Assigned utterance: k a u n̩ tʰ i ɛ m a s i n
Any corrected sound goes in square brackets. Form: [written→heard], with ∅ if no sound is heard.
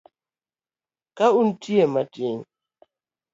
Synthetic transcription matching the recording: k a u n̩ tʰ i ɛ m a [s→t] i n